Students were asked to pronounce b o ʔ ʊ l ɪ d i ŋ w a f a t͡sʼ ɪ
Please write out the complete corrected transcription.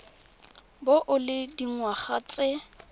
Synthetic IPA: b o ʔ ʊ l ɪ d i ŋ w a χ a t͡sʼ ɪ